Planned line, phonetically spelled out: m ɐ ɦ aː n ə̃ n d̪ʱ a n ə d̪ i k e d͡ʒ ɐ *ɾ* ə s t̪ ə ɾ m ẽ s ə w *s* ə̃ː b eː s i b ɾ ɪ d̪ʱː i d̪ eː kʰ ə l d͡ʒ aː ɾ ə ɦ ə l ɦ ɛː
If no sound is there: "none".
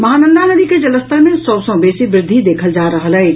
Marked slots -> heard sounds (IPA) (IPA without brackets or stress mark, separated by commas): l, s